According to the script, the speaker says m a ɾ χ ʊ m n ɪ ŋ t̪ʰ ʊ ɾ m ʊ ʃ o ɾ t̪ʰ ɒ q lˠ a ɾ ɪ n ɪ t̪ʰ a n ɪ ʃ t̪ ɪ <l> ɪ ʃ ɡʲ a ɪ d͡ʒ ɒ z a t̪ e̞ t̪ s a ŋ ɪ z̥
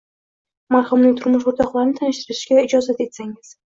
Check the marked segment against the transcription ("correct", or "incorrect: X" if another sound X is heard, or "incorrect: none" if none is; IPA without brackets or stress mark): incorrect: ɾ